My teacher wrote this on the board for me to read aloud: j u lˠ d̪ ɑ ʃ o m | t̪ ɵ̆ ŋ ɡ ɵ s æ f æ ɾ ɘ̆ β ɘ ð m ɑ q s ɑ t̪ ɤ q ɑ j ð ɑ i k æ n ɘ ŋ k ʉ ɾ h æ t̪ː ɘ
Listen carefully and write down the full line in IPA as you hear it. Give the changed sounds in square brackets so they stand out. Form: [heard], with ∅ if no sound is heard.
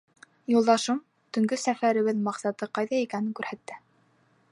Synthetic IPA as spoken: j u lˠ d̪ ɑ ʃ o m | t̪ ɵ̆ ŋ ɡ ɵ s æ f æ ɾ ɘ̆ β ɘ ð m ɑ q s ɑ t̪ ɤ q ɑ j ð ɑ i k æ n ɘ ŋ k ʉ ɾ h æ t̪ː ɘ